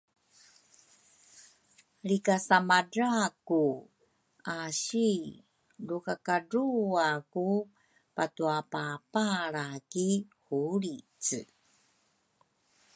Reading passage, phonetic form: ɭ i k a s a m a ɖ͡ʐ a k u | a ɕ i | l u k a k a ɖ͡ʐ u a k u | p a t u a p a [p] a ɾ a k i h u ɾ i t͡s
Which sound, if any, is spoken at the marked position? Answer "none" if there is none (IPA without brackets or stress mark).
p